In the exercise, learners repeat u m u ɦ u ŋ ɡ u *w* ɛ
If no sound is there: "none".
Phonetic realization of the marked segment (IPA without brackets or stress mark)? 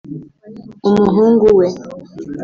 w